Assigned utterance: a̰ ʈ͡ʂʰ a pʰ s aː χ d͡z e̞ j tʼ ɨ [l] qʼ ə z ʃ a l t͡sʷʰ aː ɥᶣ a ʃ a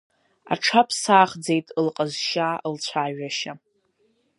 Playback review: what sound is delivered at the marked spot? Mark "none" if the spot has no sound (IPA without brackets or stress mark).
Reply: l